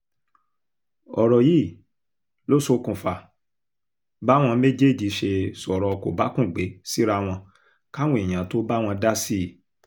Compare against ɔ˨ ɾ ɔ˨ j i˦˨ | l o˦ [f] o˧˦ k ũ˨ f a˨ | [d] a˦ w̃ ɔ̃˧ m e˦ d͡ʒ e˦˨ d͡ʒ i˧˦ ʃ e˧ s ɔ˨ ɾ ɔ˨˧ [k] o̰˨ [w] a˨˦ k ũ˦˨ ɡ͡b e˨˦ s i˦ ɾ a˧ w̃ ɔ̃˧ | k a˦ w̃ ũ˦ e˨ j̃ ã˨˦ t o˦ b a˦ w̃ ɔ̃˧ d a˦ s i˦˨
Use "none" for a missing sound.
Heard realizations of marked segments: s, b, k, b

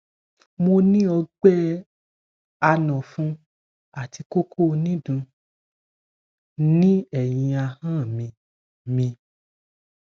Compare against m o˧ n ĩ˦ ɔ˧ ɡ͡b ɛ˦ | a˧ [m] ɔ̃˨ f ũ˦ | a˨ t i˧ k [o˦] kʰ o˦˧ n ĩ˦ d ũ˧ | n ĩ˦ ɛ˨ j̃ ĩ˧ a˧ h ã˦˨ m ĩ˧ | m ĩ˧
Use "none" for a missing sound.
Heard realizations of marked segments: n, o˦

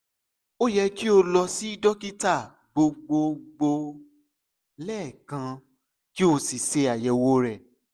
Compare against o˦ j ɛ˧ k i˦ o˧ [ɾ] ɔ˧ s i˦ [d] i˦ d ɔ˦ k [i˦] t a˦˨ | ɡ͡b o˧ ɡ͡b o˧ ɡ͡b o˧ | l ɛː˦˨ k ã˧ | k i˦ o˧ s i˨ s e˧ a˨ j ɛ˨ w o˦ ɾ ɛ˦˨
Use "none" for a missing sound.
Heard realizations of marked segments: l, none, i˦

